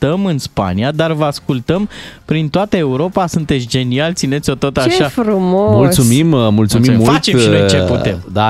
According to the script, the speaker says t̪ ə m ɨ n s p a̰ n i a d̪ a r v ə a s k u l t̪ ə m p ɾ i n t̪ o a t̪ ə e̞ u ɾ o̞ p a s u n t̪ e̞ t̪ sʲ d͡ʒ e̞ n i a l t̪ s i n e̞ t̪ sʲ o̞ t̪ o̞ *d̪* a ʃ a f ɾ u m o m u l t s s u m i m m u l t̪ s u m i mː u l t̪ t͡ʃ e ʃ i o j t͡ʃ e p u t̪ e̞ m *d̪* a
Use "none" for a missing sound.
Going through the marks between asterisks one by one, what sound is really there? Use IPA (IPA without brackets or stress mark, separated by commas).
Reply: t̪, d̪